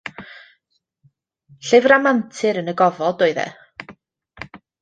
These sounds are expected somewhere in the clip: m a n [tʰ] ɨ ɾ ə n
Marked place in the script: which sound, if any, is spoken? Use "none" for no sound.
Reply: tʰ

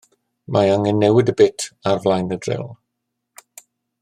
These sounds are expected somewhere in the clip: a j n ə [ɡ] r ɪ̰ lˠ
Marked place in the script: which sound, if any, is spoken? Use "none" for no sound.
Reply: d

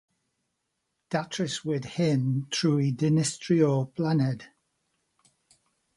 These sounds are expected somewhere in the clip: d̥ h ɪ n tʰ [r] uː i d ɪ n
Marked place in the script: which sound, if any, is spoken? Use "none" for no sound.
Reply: ɹ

